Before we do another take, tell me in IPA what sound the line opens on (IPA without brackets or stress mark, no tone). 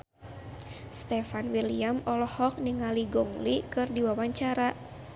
s